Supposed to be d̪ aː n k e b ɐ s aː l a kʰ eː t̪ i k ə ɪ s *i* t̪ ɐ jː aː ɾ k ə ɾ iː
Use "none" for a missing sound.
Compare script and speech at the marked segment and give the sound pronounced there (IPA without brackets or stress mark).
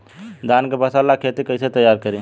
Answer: e